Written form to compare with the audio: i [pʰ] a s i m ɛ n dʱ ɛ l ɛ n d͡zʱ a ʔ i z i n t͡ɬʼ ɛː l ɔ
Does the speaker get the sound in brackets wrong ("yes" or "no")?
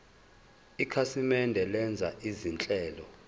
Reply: yes